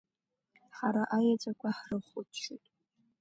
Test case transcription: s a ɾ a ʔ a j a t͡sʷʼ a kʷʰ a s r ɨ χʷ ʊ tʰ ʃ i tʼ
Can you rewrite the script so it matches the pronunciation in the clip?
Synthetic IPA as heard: ħ a ɾ a ʔ a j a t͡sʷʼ a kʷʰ a ħ r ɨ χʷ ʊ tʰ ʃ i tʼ